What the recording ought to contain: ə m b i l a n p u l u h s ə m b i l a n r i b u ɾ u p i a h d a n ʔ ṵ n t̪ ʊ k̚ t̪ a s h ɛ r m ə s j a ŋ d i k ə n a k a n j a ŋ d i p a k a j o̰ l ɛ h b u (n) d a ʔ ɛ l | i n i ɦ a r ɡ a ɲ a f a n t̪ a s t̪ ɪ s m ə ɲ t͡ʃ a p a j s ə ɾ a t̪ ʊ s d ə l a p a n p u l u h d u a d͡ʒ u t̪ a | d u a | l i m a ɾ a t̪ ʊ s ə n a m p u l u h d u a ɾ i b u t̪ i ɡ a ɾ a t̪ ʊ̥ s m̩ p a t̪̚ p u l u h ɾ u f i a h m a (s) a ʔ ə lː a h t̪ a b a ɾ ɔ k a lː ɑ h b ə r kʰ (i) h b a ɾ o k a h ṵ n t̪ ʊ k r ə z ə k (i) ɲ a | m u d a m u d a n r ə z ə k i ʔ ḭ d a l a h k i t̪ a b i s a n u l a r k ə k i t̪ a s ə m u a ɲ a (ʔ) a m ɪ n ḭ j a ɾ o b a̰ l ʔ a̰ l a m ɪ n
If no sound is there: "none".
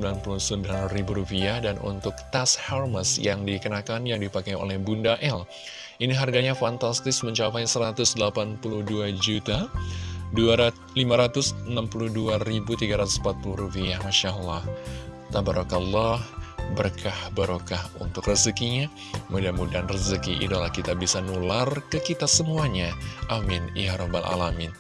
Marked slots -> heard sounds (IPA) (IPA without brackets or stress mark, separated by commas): n, ʃ, a, i, ʔ